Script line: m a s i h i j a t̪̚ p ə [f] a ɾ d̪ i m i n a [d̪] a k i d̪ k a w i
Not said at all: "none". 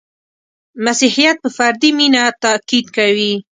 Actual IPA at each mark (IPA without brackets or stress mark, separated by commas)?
f, t̪